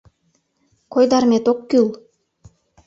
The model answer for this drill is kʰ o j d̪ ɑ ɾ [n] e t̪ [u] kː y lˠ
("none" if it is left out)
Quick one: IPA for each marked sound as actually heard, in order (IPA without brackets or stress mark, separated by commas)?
m, o